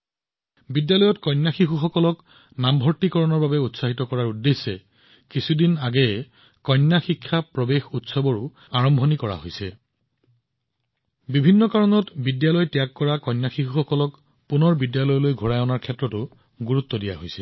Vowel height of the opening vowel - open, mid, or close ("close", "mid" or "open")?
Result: close